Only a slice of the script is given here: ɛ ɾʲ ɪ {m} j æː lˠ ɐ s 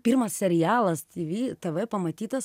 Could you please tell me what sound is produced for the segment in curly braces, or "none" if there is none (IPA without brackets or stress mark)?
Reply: none